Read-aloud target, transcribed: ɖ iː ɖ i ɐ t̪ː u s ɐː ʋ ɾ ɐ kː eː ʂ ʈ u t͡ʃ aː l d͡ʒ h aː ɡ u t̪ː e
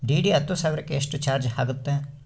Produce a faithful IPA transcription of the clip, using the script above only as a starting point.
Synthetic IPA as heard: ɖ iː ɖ i ɐ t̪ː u s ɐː ʋ ɾ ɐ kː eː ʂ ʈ u t͡ʃ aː ɾ d͡ʒ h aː ɡ u t̪ː e